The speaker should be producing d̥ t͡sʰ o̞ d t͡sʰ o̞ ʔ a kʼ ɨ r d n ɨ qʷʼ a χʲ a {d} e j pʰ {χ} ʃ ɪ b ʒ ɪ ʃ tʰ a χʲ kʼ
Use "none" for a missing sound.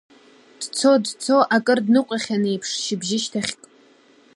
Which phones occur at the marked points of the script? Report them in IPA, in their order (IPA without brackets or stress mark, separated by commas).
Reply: n, ʂ